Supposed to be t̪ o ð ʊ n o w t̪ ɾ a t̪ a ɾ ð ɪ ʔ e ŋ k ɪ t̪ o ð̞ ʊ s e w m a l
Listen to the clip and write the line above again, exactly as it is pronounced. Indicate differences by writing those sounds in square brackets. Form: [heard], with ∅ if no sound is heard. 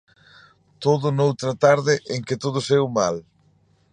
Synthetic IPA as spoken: t̪ o ð ʊ n o w t̪ ɾ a t̪ a ɾ ð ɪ ʔ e ŋ k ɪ t̪ o ð̞ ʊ s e w m a l

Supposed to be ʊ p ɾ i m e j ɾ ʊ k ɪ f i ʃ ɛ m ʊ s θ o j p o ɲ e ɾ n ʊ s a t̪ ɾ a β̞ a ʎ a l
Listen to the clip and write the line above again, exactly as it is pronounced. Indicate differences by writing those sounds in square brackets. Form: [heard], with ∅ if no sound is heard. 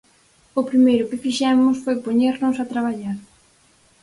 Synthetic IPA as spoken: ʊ p ɾ i m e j ɾ ʊ k ɪ f i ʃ ɛ m ʊ s [f] o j p o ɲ e ɾ n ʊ s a t̪ ɾ a β̞ a ʎ a [ɾ]

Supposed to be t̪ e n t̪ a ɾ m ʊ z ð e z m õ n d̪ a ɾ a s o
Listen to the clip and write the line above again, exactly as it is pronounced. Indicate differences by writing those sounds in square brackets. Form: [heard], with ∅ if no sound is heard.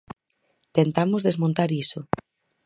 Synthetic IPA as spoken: t̪ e n t̪ a [∅] m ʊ z ð e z m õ n [t̪] a ɾ [i] s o

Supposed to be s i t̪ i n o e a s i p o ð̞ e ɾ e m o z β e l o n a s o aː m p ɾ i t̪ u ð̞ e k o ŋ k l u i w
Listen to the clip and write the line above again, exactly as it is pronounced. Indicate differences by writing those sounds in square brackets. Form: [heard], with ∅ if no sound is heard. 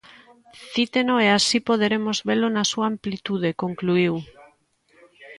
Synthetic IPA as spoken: [θ] i t̪ [e] n o e a s i p o ð̞ e ɾ e m o z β e l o n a s [u] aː m p [l] i t̪ u ð̞ e k o ŋ k l u i w

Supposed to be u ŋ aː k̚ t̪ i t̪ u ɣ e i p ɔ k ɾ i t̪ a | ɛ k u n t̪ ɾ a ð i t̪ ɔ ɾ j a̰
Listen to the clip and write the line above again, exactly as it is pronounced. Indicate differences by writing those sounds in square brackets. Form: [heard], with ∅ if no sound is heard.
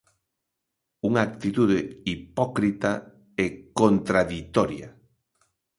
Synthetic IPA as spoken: u ŋ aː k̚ t̪ i t̪ u [ð] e i p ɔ k ɾ i t̪ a | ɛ k [o] n t̪ ɾ a ð i t̪ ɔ ɾ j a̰

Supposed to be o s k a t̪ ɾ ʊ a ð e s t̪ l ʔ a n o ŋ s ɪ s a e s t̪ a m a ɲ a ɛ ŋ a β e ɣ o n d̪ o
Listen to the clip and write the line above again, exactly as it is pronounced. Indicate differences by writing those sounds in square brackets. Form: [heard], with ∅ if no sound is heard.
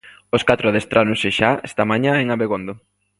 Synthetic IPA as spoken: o s k a t̪ ɾ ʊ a ð e s t̪ [ɾ] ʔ a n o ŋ s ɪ [ʃ] a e s t̪ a m a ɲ a [e] ŋ a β e ɣ o n d̪ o

